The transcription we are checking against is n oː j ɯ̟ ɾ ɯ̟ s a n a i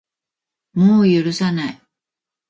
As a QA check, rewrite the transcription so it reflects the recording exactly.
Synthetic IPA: m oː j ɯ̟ ɾ ɯ̟ s a n a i